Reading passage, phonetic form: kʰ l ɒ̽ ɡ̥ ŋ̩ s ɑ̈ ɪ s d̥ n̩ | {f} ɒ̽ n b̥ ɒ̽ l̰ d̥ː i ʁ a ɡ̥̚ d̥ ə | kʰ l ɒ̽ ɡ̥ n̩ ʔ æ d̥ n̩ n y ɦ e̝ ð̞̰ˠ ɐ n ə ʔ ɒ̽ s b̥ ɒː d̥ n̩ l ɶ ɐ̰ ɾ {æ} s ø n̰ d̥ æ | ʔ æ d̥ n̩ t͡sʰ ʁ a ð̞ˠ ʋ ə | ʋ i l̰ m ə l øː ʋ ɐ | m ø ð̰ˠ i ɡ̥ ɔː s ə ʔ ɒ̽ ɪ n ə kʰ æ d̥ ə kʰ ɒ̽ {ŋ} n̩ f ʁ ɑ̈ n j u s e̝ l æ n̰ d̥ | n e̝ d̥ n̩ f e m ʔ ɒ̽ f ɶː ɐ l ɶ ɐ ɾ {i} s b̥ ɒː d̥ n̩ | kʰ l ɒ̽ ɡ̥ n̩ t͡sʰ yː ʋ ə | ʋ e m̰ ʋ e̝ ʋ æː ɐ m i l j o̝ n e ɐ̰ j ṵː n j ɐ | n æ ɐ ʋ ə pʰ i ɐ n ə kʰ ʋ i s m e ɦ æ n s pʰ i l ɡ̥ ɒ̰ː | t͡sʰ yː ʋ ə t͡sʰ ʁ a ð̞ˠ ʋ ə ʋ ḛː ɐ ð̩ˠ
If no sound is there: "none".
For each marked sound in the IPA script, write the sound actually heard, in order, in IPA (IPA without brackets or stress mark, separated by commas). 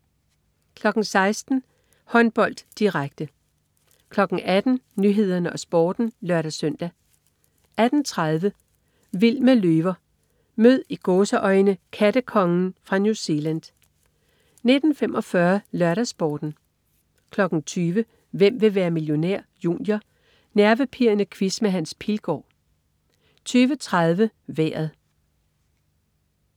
h, æ, ŋ, æ